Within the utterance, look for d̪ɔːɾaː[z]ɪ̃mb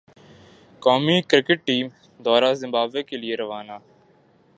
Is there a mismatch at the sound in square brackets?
no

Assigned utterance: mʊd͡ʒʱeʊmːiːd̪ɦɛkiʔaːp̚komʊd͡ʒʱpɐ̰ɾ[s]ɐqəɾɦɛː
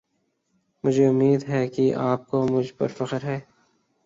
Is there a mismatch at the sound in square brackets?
yes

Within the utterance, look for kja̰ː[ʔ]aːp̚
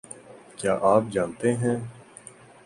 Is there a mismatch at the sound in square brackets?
no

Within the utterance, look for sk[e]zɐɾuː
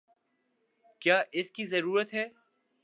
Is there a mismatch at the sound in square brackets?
yes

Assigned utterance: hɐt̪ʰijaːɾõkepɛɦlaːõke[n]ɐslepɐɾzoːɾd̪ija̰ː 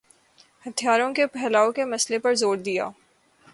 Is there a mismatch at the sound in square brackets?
yes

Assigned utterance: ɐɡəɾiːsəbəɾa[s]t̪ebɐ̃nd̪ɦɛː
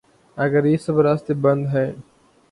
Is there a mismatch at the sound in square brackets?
no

